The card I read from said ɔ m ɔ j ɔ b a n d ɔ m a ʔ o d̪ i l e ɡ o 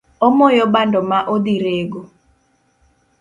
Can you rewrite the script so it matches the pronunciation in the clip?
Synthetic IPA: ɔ m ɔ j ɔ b a n d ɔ m a ʔ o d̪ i ɾ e ɡ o

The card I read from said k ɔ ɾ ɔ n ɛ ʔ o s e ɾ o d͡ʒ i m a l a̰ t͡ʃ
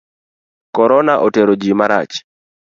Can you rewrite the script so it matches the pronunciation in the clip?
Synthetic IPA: k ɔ ɾ ɔ n a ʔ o t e ɾ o d͡ʒ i m a ɾ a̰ t͡ʃ

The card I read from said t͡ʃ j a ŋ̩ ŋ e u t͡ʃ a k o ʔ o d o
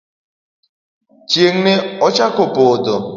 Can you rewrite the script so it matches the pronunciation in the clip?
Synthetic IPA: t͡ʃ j e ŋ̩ n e ɔ t͡ʃ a k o p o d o

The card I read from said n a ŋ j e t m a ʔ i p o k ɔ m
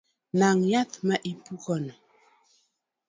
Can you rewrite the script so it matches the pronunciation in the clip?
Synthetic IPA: n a ŋ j a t m a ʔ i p u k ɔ n

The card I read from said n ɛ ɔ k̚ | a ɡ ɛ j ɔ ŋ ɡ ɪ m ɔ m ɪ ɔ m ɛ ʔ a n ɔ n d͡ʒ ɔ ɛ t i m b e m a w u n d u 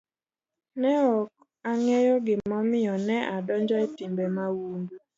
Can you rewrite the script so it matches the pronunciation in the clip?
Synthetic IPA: n ɛ ɔ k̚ | a ŋ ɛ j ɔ ɡ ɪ m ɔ m ɪ ɔ n ɛ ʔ a d ɔ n d͡ʒ ɔ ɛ t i m b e m a w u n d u

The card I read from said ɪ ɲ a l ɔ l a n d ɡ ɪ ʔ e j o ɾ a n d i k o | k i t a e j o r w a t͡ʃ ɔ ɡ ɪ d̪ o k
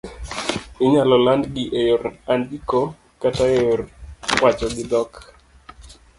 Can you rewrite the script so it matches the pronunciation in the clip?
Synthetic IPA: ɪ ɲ a l ɔ l a n d ɡ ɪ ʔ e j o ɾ a n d i k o | k a t a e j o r w a t͡ʃ ɔ ɡ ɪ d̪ ɔ k

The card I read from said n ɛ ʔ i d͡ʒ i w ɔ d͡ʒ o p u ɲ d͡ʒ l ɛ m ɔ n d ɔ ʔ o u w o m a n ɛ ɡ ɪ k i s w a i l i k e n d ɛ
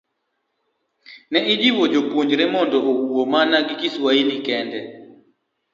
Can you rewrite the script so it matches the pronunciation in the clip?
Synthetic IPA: n ɛ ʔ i d͡ʒ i w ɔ d͡ʒ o p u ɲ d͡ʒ ɾ ɛ m ɔ n d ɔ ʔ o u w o m a n a ɡ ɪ k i s w a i l i k ɛ n d ɛ

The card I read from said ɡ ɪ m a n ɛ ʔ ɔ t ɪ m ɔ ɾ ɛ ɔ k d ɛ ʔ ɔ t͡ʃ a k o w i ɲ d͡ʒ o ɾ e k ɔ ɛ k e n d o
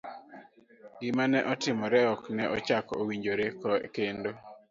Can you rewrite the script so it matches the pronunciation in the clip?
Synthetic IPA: ɡ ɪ m a n ɛ ʔ ɔ t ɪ m ɔ ɾ ɛ ɔ k n ɛ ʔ ɔ t͡ʃ a k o w i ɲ d͡ʒ o ɾ e k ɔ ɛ k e n d o

